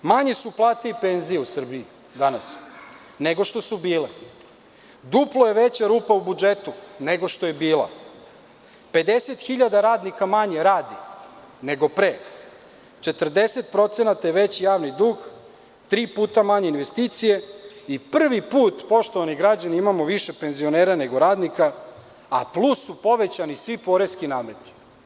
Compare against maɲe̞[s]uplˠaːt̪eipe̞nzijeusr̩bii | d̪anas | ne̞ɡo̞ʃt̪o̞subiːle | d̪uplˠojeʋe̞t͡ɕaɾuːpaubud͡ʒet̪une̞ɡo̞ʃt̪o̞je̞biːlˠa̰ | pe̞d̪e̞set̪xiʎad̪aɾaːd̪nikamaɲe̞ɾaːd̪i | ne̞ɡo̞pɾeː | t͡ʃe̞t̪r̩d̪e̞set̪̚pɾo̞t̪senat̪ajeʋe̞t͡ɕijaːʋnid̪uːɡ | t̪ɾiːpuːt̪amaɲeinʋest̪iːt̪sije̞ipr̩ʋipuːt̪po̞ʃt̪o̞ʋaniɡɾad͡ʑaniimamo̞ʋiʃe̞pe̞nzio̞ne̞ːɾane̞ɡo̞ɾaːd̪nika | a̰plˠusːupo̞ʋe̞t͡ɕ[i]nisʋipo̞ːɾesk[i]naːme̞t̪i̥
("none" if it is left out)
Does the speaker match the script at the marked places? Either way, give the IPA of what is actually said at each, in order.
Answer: s, a, i

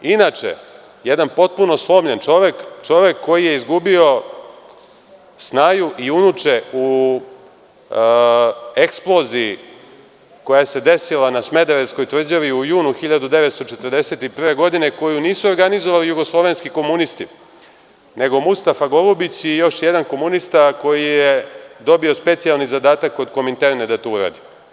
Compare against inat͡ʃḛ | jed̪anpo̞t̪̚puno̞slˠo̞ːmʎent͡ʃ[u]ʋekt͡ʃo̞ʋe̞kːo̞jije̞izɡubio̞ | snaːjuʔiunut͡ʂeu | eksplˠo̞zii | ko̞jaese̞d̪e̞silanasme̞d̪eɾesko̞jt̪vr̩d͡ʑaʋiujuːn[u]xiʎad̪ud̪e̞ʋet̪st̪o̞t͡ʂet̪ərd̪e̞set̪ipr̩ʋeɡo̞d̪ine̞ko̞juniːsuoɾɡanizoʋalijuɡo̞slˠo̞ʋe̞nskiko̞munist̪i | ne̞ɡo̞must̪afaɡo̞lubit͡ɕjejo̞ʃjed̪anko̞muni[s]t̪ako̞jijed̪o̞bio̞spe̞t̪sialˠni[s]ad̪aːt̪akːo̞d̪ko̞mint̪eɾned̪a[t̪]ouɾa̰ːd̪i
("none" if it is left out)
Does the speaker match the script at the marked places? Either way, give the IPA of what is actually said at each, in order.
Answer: o, u, s, z, t̪

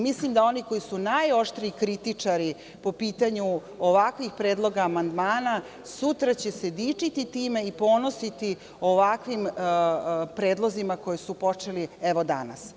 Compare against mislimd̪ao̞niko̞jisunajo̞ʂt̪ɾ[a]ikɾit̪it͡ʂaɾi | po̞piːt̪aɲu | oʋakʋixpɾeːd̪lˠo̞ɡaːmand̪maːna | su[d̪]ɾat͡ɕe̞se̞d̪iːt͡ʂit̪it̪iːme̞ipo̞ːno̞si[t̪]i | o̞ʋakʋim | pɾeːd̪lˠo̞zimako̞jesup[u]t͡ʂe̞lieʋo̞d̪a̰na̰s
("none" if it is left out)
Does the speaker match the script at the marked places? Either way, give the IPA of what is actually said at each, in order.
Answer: i, t̪, t̪, o

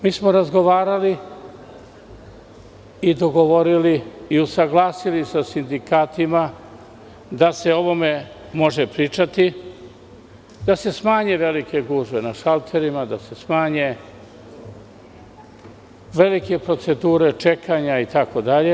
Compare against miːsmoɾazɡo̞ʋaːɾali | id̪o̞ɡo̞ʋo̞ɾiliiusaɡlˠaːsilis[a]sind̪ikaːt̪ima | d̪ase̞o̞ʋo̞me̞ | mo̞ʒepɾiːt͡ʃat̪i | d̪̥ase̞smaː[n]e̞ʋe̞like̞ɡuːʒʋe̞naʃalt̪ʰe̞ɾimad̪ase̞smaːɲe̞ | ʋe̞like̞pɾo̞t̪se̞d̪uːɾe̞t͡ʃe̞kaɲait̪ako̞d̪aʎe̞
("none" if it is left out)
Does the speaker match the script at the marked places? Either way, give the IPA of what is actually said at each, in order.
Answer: a, ɲ

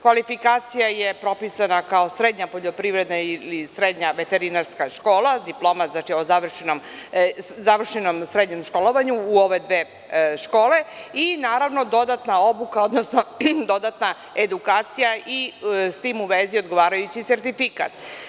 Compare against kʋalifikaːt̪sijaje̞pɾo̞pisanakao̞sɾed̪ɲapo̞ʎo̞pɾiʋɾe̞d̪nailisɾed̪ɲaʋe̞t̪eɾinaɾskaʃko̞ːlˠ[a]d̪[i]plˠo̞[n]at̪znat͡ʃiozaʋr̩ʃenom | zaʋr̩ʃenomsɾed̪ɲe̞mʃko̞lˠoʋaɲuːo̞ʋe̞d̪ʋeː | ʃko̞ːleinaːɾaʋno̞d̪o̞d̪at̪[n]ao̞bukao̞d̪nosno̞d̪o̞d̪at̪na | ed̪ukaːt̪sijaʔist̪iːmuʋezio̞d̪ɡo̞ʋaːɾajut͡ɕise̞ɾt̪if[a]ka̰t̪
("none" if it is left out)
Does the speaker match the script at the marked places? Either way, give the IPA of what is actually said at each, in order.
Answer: a, i, m, n, i

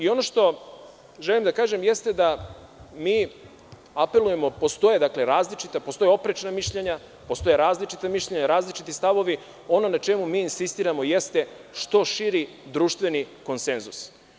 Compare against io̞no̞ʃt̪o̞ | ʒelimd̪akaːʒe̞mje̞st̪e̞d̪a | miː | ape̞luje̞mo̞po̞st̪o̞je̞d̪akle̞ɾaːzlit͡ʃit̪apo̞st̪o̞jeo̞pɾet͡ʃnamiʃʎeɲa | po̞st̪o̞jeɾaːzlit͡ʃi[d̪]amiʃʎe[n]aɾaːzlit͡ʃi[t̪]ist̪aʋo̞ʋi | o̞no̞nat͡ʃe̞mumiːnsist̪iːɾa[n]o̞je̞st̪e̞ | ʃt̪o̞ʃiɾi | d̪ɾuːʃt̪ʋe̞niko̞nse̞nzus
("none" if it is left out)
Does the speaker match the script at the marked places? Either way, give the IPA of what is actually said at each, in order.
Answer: t̪, ɲ, t̪, m

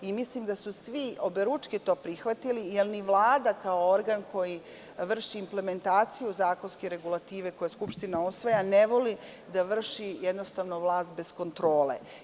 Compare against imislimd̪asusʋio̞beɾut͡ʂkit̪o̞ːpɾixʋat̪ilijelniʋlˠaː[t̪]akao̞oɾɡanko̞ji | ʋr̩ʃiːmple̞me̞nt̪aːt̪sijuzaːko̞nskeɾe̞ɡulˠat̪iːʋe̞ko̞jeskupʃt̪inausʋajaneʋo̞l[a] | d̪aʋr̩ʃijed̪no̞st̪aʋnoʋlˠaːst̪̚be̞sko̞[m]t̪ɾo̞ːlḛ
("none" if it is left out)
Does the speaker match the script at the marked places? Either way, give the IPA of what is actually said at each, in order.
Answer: d̪, i, n

